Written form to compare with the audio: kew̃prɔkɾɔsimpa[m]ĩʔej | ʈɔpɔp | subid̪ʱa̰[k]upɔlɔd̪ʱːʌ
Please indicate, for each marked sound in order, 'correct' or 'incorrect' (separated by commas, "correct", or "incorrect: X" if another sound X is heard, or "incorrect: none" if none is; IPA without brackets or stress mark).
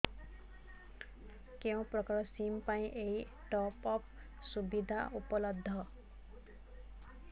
incorrect: none, incorrect: none